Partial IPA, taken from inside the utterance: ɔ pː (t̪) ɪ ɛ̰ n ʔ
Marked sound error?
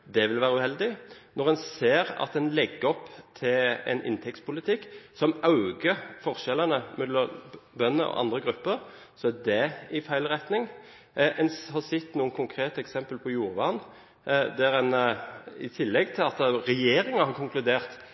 yes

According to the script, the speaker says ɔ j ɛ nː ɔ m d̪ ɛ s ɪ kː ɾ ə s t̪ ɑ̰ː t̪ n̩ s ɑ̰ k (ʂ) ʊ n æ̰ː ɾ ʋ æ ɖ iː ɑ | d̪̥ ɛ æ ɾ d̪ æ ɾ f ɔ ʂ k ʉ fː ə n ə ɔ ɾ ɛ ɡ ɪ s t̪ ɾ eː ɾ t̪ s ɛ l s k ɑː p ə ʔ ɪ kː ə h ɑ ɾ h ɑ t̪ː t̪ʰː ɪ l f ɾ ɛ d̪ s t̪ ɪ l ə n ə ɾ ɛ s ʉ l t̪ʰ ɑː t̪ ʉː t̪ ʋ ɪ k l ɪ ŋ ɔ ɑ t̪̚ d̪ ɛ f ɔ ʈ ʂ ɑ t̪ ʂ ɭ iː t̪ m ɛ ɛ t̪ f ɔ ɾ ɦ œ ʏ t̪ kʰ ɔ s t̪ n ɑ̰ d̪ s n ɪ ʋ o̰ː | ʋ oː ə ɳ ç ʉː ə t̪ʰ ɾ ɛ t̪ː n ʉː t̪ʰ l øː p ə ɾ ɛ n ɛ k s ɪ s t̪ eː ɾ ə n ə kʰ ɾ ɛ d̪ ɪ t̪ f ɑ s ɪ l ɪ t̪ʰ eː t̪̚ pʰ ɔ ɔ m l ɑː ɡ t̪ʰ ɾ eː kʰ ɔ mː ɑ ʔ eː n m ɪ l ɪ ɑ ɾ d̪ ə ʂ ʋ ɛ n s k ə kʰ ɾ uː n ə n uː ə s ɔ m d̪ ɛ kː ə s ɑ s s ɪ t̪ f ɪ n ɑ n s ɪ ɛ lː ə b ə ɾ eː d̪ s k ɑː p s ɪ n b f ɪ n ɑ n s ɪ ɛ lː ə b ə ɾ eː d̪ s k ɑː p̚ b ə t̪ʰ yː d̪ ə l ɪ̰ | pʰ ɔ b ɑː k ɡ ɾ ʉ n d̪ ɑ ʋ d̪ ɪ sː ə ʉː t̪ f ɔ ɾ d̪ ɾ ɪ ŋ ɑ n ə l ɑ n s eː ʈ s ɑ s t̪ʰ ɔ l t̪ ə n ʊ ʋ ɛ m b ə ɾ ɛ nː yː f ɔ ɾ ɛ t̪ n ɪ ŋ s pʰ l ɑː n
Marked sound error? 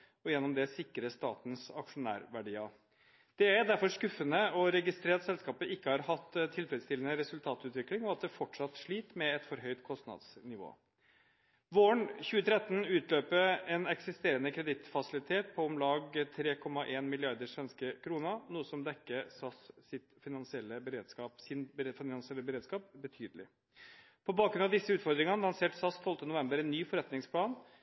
no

